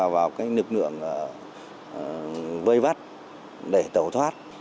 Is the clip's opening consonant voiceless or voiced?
voiced